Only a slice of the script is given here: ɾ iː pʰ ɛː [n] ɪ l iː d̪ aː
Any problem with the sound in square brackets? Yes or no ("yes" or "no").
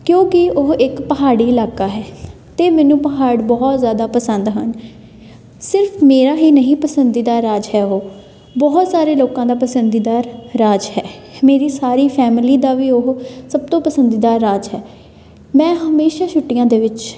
yes